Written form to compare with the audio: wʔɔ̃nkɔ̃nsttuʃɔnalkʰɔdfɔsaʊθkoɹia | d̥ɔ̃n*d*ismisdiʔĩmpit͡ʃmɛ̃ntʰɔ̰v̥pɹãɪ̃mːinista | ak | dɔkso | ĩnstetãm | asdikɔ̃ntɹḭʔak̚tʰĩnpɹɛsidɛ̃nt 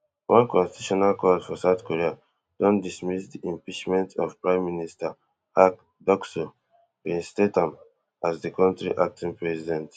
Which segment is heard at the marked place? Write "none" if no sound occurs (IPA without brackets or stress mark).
d